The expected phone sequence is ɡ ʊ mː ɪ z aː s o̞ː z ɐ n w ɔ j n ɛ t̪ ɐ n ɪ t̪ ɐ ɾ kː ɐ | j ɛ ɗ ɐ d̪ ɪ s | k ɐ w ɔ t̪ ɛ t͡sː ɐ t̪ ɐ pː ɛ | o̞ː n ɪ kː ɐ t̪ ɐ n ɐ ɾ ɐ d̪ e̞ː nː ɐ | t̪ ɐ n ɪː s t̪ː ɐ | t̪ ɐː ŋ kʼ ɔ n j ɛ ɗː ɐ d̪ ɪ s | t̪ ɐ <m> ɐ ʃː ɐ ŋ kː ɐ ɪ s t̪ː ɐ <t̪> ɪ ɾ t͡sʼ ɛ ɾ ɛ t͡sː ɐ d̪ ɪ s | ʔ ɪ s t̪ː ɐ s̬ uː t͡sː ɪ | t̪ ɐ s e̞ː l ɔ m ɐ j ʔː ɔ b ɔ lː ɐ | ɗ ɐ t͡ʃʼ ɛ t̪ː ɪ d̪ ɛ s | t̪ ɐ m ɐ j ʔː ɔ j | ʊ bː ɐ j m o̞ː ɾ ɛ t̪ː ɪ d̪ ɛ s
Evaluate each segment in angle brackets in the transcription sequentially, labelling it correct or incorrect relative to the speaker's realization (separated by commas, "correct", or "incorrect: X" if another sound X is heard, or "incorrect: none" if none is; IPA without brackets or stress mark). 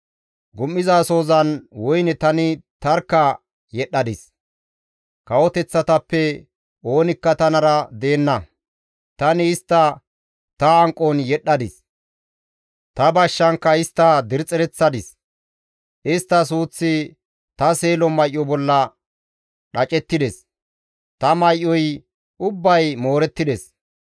incorrect: b, incorrect: d̪